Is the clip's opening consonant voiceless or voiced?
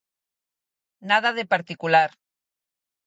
voiced